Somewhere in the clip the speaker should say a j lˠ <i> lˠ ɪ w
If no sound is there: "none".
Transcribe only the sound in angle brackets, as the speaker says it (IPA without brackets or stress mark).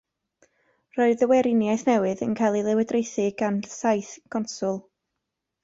i